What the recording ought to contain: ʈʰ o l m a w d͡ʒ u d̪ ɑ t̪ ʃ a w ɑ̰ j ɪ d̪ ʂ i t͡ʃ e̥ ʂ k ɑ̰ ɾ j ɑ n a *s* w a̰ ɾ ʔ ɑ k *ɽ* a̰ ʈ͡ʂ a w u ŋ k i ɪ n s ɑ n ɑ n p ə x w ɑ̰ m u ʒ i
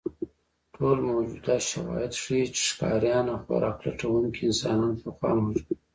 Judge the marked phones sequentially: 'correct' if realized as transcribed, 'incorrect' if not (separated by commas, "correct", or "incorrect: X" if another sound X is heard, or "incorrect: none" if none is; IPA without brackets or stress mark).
incorrect: x, incorrect: l